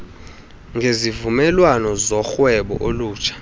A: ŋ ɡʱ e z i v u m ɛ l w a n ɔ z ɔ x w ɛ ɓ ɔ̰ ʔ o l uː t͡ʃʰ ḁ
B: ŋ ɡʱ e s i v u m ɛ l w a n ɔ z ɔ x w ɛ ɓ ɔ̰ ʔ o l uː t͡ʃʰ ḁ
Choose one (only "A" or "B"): A